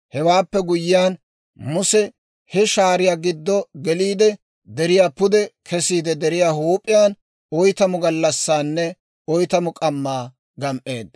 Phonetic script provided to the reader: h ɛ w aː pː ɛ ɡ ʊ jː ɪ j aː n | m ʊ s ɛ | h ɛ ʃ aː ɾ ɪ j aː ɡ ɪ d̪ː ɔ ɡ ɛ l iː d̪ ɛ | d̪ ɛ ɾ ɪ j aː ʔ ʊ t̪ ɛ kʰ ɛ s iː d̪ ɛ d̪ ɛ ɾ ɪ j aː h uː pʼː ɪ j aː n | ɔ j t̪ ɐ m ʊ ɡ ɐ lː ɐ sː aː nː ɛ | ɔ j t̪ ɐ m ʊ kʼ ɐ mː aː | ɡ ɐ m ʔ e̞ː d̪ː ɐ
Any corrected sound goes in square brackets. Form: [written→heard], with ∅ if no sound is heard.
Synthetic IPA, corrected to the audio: h ɛ w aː pː ɛ ɡ ʊ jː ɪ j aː n | m ʊ s ɛ | h ɛ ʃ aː ɾ ɪ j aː ɡ ɪ d̪ː ɔ ɡ ɛ l iː d̪ ɛ | d̪ ɛ ɾ ɪ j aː [ʔ→p] ʊ [t̪→d̪] ɛ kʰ ɛ s iː d̪ ɛ d̪ ɛ ɾ ɪ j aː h uː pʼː ɪ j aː n | ɔ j t̪ ɐ m ʊ ɡ ɐ lː ɐ sː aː nː ɛ | ɔ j t̪ ɐ m ʊ kʼ ɐ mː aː | ɡ ɐ m ʔ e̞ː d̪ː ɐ